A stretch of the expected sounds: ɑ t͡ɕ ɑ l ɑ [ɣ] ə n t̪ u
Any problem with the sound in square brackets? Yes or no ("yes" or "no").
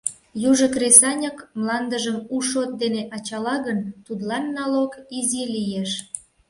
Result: no